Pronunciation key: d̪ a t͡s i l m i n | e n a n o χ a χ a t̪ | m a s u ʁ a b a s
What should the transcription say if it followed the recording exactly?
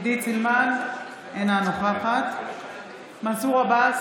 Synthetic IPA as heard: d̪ i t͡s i l m a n | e n a n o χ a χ a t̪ | m a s u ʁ a b a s